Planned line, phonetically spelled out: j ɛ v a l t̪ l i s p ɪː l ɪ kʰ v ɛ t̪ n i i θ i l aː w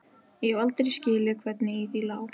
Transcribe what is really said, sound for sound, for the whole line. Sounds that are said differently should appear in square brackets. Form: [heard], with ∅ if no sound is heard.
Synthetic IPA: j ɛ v a l t̪ [ɾ] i s [c] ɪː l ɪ kʰ v ɛ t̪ n [ɪ] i θ i l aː w